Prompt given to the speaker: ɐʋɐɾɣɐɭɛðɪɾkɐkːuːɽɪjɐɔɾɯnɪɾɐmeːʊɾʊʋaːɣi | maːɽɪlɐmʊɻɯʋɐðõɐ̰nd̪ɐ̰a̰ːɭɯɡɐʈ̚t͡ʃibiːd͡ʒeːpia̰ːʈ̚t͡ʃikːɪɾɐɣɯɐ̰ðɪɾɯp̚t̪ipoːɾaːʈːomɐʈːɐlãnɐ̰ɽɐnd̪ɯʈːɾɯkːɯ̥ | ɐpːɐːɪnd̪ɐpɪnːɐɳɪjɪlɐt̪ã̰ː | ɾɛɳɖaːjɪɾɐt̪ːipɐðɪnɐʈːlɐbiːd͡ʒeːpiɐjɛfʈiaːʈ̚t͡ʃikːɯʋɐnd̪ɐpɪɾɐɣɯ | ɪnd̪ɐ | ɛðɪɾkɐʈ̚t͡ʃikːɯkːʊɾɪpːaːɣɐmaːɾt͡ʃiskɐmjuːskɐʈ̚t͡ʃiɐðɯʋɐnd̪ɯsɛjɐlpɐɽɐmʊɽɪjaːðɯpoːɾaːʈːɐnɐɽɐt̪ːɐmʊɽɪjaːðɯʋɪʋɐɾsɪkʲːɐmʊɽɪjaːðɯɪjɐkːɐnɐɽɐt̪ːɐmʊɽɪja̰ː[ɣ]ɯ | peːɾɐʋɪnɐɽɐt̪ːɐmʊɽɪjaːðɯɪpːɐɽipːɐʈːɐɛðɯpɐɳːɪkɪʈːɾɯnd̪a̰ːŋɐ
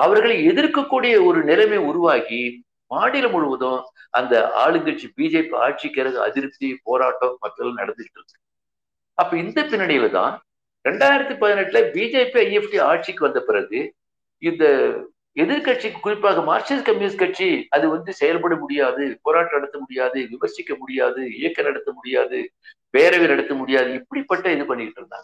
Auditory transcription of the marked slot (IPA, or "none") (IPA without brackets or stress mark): ð